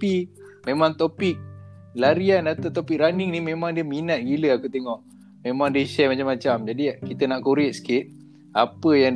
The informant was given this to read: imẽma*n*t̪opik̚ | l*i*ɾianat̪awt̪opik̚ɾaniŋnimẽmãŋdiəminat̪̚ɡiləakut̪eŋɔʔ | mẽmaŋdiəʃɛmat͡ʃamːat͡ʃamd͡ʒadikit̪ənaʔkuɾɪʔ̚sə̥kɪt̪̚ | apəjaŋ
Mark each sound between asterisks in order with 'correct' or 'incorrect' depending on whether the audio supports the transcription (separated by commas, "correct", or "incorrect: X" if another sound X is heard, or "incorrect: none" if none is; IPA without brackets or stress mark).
incorrect: ŋ, incorrect: a